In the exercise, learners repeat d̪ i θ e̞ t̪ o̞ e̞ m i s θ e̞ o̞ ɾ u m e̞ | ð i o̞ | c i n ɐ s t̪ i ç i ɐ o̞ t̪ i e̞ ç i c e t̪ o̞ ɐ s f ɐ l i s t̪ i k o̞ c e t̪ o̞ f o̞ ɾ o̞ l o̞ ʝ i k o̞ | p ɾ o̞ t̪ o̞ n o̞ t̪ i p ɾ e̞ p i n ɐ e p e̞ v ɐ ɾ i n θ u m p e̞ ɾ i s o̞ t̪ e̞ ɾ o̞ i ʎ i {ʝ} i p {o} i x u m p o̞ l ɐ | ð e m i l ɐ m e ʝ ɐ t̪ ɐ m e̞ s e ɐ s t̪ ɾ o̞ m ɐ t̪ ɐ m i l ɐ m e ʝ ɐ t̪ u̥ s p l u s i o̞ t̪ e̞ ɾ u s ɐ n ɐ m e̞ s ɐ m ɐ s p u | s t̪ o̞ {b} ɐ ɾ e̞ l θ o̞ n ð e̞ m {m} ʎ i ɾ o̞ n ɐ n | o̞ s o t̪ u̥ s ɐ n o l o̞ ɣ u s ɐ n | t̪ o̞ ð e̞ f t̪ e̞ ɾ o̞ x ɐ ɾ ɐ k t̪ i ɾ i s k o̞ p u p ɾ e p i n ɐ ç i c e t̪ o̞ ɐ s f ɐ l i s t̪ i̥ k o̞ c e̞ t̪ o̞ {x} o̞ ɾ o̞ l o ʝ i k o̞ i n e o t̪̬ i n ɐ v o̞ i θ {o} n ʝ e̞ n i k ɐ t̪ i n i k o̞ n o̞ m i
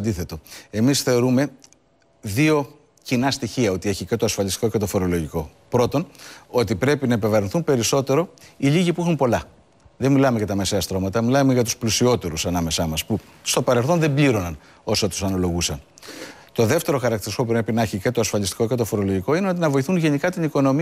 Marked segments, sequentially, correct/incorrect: correct, incorrect, incorrect, incorrect, incorrect, incorrect

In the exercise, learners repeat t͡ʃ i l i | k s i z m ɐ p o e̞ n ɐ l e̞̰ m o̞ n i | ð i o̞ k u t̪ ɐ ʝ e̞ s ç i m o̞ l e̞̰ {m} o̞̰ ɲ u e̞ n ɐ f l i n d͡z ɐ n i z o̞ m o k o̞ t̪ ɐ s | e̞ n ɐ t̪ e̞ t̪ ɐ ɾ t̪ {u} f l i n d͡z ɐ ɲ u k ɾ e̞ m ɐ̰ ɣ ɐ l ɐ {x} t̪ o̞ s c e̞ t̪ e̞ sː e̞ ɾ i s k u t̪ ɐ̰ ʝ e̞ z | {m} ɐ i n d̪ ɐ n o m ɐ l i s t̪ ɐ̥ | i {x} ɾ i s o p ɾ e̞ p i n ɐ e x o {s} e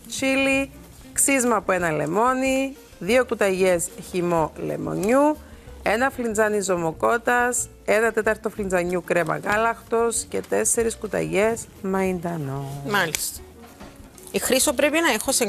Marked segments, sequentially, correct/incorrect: correct, incorrect, correct, correct, correct, correct

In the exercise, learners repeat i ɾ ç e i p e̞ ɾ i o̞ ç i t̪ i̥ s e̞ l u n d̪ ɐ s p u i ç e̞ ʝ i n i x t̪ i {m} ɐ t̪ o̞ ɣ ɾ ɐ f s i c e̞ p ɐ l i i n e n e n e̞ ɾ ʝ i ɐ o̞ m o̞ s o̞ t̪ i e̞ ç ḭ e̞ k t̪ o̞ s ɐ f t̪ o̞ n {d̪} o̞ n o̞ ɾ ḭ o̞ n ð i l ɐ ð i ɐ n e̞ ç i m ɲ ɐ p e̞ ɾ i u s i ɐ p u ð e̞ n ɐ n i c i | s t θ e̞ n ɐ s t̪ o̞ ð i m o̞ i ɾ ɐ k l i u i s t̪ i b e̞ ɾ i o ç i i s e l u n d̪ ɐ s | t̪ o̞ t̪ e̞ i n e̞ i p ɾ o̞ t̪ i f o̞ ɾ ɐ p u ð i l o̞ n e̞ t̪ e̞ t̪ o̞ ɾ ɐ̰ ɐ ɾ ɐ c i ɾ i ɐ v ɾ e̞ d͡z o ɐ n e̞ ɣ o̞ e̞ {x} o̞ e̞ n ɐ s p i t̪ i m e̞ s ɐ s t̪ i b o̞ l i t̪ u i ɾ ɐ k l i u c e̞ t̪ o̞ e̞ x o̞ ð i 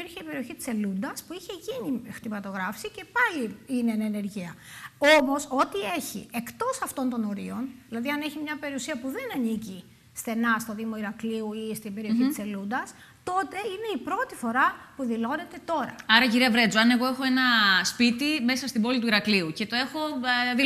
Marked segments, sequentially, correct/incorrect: correct, incorrect, correct

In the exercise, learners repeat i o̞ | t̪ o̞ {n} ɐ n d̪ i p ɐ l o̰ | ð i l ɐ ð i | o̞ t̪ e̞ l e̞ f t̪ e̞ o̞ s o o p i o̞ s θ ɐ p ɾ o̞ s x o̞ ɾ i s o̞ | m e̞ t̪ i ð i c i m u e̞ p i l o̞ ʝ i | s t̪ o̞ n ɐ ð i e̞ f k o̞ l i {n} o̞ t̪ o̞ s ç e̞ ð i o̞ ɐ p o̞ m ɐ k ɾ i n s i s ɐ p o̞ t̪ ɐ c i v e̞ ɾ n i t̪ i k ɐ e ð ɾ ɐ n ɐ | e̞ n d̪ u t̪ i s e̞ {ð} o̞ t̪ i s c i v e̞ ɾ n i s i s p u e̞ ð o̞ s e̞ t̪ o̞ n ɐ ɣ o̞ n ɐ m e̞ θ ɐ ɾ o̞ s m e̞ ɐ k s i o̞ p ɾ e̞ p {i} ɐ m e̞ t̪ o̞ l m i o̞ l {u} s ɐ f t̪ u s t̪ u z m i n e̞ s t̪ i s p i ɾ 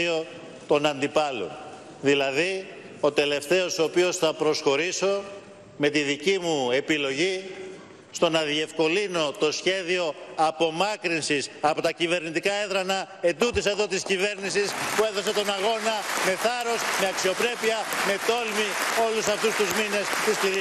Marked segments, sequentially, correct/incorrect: correct, correct, correct, correct, correct

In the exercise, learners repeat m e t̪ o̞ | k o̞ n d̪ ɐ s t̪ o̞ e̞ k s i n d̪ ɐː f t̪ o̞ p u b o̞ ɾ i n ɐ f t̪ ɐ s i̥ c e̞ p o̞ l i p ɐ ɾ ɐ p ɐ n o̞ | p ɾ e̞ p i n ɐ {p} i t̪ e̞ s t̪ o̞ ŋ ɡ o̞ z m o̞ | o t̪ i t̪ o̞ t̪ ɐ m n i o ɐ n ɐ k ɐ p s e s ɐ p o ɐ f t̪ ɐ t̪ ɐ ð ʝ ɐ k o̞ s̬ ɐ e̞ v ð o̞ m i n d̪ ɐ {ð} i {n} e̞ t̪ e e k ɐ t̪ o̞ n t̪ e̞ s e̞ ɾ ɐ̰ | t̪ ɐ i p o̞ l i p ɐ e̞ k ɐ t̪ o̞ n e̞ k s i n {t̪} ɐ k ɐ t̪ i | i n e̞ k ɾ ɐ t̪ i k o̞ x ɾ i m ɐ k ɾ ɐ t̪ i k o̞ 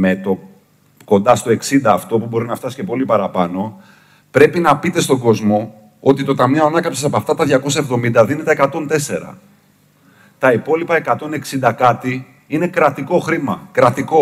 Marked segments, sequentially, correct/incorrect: correct, correct, correct, incorrect

